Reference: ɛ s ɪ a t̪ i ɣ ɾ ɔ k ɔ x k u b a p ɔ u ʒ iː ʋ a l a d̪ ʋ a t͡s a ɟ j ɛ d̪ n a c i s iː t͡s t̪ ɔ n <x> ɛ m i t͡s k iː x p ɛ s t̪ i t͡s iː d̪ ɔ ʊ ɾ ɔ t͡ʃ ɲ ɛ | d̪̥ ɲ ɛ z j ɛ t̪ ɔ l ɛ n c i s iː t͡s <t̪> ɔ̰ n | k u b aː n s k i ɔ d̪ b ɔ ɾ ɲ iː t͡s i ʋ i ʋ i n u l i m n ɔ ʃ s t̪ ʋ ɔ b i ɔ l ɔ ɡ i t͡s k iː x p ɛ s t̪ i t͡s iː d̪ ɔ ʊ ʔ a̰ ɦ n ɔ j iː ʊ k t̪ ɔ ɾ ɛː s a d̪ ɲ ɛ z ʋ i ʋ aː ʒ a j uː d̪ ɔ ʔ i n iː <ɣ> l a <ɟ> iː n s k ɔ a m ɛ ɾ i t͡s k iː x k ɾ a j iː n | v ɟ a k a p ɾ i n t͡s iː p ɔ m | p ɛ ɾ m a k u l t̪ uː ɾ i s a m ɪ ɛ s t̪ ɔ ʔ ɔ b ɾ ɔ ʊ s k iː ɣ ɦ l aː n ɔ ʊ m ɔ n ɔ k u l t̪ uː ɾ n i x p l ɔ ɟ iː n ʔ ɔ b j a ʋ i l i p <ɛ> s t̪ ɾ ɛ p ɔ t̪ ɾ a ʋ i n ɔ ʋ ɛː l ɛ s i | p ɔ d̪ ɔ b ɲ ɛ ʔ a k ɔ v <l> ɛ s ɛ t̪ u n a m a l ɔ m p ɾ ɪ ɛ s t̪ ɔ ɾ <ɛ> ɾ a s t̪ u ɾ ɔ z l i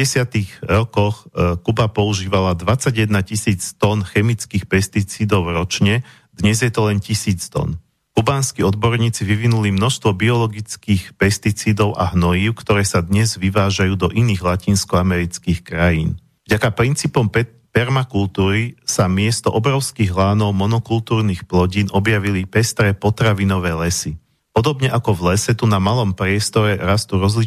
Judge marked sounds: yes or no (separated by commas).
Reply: yes, yes, yes, no, yes, yes, yes